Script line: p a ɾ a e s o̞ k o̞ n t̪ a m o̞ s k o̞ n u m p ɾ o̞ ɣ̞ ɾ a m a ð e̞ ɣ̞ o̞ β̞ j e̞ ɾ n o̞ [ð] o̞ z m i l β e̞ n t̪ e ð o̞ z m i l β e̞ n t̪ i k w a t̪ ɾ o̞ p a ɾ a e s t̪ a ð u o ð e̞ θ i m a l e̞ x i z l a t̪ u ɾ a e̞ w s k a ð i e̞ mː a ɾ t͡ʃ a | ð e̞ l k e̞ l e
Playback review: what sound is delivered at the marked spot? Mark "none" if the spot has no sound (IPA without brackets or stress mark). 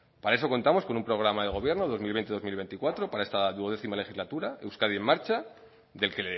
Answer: ð